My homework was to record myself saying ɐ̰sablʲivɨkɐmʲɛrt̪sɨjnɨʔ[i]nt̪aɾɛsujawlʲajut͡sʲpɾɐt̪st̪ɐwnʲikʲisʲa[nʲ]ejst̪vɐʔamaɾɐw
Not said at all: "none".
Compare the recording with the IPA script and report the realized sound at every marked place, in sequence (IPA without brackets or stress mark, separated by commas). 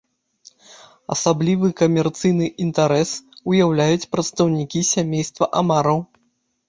i, mʲ